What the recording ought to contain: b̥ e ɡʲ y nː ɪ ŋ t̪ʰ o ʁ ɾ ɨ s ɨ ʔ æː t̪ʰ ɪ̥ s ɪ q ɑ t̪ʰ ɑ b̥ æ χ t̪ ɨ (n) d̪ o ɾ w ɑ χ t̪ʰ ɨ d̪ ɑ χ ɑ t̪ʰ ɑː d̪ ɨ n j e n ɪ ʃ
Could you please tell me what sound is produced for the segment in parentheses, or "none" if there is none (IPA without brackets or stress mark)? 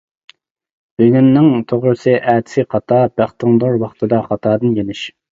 ŋ